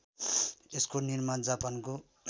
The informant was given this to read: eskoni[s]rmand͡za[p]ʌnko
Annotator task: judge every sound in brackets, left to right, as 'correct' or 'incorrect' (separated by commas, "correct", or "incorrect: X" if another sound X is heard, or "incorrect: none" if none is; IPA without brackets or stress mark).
incorrect: none, correct